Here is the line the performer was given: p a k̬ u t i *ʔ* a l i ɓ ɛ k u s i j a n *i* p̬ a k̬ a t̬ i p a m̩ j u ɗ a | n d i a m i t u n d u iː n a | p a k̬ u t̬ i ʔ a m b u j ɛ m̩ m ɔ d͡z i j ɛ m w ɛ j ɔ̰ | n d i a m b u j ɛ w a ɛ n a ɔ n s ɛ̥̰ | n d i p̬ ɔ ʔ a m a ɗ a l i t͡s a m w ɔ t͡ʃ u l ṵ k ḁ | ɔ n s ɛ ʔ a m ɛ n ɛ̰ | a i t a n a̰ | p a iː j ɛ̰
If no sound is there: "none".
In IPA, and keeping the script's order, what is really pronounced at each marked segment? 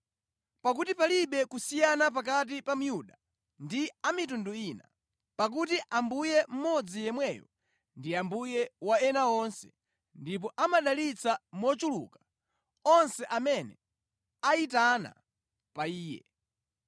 p, a

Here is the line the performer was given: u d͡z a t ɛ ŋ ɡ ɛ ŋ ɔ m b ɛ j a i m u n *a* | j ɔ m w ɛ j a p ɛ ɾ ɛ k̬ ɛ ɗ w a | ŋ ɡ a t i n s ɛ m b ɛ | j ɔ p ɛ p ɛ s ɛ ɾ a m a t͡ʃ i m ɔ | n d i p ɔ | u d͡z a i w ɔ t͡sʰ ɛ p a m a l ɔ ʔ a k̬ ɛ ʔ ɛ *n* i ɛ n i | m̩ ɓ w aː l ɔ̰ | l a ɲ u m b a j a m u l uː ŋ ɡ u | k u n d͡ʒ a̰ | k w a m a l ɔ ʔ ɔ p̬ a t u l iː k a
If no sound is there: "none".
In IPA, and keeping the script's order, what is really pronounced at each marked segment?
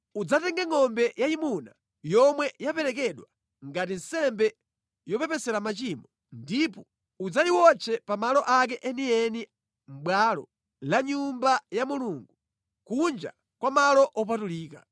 a, n

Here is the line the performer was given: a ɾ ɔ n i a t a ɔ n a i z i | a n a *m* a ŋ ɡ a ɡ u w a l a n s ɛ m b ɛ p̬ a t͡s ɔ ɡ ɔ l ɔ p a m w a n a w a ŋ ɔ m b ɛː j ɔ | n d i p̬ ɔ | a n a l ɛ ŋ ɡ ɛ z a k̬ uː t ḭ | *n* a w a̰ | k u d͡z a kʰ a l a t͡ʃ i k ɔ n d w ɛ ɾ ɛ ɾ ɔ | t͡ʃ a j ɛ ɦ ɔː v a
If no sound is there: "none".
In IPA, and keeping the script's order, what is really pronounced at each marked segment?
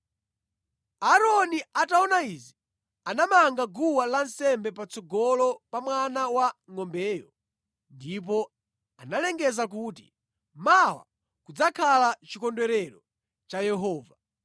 m, m

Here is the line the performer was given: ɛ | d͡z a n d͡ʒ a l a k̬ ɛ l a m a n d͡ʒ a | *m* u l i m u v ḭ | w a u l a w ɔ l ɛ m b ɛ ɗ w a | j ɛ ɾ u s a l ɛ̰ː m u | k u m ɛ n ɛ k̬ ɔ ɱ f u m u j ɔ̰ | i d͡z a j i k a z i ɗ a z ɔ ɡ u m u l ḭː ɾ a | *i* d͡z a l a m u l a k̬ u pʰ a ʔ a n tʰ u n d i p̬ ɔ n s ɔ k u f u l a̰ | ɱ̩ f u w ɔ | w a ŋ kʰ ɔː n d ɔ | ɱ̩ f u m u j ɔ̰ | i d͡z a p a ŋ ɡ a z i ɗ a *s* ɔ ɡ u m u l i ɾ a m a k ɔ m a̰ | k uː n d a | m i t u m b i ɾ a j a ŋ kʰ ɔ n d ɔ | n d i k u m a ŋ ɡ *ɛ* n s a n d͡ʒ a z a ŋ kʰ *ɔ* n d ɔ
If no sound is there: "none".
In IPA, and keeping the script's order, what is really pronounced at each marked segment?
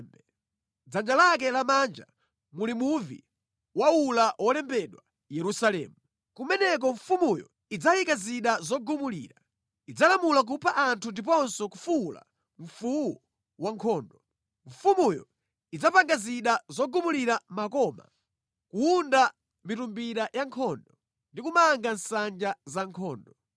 m, i, z, a, ɔː

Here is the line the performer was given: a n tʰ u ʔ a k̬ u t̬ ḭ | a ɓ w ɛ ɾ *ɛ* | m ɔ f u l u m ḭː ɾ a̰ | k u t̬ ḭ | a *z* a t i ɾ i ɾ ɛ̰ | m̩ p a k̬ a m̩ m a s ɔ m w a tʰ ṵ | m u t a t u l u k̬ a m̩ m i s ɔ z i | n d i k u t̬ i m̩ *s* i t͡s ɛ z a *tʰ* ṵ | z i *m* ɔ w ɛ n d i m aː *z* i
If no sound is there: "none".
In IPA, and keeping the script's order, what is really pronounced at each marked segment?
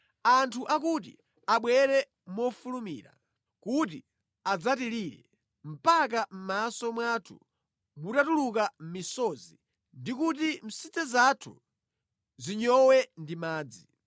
ɛ, d͡z, s, tʰ, ɲ, d͡z

